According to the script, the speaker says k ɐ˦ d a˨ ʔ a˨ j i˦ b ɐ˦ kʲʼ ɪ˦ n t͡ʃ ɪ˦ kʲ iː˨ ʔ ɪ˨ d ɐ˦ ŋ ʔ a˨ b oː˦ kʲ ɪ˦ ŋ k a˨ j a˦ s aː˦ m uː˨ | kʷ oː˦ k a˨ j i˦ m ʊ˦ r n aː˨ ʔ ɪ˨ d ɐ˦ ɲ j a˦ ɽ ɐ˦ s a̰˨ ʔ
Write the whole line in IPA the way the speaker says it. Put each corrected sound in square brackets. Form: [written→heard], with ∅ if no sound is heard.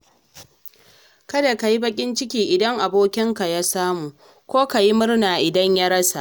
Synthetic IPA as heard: k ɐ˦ d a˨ [ʔ→k] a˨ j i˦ b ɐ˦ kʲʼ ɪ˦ n t͡ʃ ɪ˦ kʲ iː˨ ʔ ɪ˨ d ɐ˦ ŋ ʔ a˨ b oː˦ kʲ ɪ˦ ŋ k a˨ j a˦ s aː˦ m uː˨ | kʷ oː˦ k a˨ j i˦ m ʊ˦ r n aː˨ ʔ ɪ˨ d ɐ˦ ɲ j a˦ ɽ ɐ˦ s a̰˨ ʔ